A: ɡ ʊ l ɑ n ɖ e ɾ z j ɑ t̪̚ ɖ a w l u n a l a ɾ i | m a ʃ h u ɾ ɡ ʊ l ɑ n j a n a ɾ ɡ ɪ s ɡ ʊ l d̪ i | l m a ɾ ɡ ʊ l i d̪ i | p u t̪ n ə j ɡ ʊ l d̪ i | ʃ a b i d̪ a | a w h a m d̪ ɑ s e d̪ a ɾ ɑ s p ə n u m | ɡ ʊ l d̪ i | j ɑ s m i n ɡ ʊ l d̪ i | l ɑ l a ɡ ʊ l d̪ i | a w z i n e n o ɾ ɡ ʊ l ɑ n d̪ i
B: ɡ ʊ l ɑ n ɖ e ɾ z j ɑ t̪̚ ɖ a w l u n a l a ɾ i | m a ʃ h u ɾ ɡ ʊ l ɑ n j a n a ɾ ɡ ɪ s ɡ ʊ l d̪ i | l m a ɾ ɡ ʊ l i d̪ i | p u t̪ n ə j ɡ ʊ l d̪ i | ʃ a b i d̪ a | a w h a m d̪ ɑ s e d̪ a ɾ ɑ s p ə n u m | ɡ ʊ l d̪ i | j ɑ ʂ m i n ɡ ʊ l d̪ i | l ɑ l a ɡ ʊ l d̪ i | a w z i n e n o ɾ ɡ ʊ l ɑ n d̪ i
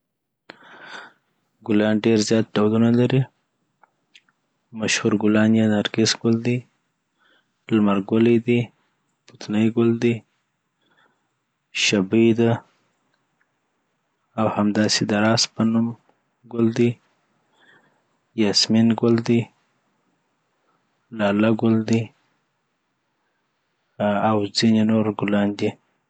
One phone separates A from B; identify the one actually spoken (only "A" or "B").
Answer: A